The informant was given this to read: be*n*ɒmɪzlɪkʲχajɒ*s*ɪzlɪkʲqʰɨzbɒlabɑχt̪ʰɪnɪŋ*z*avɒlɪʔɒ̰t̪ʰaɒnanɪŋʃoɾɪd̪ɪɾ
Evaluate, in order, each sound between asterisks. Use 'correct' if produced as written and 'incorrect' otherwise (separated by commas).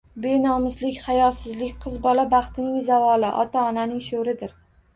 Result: correct, correct, correct